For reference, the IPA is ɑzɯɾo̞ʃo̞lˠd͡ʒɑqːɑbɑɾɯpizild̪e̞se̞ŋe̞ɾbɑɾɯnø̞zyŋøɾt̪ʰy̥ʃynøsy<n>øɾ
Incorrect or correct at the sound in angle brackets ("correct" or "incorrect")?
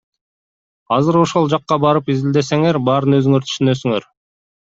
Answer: incorrect